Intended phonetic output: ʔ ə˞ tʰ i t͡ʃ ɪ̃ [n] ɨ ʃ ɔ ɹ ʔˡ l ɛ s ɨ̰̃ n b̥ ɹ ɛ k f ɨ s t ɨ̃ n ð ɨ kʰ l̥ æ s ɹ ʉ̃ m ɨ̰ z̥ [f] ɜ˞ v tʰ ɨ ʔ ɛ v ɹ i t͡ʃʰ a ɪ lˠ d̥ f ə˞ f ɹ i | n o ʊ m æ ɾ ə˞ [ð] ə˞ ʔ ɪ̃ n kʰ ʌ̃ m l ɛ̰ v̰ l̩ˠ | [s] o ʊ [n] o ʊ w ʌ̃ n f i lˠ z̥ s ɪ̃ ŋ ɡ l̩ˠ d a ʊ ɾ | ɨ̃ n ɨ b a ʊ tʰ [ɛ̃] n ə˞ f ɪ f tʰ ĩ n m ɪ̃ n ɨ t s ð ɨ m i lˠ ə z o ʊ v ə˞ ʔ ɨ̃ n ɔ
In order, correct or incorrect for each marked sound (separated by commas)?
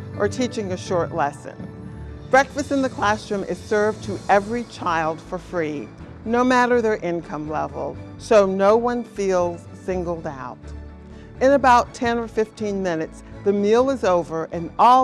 incorrect, incorrect, correct, correct, correct, correct